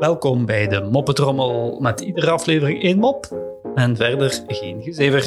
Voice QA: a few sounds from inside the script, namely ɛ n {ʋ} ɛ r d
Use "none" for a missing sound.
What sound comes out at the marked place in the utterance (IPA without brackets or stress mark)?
v